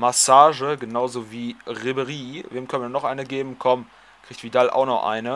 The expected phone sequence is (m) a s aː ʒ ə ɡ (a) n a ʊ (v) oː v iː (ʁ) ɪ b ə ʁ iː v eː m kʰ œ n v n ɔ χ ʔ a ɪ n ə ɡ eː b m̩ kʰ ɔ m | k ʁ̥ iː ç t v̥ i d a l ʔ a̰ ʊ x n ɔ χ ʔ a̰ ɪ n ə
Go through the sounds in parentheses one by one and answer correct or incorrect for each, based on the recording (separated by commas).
correct, incorrect, incorrect, correct